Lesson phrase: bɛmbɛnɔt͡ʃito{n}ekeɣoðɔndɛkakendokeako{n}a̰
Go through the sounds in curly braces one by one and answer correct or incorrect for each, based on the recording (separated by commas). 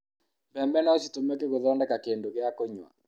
incorrect, incorrect